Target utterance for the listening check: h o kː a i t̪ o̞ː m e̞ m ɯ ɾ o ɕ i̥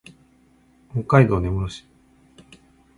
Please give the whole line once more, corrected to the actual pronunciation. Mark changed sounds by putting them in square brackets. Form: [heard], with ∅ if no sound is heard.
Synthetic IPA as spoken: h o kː a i [d̪] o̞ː [n] e̞ m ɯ ɾ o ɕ i̥